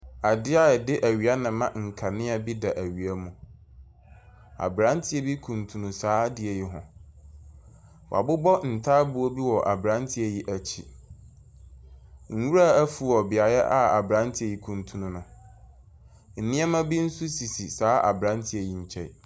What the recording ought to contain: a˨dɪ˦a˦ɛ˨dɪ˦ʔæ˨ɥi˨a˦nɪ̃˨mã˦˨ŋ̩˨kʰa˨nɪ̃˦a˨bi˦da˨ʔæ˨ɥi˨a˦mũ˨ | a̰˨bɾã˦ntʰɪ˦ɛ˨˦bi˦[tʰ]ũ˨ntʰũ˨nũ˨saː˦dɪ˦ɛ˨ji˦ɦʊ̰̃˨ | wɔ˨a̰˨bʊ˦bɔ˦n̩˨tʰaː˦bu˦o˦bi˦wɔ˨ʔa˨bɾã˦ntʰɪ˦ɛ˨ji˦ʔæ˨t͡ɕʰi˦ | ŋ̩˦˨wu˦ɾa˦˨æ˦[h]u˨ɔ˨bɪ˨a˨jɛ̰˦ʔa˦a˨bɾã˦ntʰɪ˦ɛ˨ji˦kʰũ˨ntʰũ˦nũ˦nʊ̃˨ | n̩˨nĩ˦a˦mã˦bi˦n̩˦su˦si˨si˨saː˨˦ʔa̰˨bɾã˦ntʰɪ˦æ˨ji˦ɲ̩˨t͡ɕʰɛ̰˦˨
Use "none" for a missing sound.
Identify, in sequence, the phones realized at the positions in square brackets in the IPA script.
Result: kʰ, f

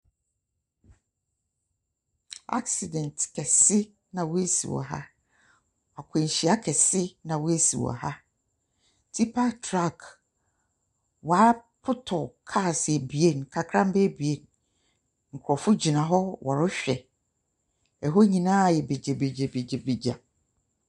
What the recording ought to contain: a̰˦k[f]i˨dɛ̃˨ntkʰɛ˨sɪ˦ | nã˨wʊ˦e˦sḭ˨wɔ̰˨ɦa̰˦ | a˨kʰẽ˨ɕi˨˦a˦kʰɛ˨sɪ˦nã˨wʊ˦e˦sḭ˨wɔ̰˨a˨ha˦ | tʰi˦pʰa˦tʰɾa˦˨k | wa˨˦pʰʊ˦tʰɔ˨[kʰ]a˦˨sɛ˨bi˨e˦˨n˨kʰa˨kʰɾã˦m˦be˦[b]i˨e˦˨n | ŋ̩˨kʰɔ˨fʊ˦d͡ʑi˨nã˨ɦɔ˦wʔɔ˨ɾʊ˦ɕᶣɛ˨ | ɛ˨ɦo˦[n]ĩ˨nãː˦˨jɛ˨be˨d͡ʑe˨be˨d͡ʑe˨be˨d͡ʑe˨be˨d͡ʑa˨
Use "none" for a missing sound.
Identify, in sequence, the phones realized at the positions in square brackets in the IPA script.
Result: s, kʰ, b, ɲ

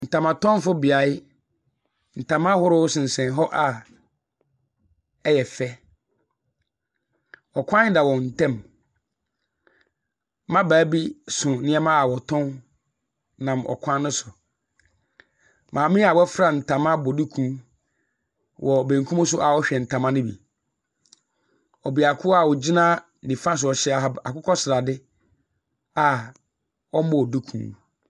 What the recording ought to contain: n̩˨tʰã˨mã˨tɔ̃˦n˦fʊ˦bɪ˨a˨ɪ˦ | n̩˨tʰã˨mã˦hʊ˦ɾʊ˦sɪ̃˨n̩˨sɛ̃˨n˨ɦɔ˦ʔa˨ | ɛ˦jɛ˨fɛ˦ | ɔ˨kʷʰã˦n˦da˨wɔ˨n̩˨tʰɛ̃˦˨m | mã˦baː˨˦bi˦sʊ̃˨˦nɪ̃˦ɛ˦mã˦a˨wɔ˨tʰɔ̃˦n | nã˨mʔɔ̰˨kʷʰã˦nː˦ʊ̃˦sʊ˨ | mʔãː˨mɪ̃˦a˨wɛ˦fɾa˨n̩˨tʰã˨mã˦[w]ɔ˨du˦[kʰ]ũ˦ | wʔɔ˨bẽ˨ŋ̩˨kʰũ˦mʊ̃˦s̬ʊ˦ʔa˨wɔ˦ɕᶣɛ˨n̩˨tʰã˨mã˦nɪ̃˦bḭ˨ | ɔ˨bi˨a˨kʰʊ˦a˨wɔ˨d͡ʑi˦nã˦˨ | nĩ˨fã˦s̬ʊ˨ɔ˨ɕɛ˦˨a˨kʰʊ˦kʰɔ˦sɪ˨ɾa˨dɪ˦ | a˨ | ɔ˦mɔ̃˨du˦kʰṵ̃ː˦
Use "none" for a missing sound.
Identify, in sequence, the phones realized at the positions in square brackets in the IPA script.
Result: b, kʰ

